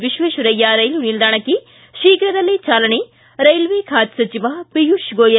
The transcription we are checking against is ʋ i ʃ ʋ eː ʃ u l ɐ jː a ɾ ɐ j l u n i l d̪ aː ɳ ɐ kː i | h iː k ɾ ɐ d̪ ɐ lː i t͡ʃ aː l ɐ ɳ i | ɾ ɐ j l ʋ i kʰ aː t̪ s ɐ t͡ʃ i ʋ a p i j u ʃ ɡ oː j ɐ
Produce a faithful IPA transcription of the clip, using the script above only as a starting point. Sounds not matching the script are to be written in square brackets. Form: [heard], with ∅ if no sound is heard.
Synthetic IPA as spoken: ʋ i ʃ ʋ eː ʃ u [ɾ] ɐ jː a ɾ ɐ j l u n i l d̪ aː ɳ ɐ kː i | [ʃ] iː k ɾ ɐ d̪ ɐ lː i t͡ʃ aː l ɐ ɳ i | ɾ ɐ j l ʋ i kʰ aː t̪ s ɐ t͡ʃ i ʋ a p i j u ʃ ɡ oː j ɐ